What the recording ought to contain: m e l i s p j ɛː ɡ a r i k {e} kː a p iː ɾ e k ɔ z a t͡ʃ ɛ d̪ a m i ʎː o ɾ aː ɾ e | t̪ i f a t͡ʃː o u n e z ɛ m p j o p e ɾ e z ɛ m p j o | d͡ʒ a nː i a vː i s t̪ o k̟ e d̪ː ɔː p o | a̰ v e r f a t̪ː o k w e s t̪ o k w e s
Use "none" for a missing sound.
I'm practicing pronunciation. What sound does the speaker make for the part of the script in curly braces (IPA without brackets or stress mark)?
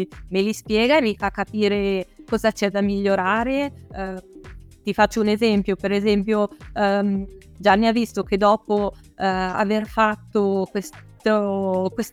a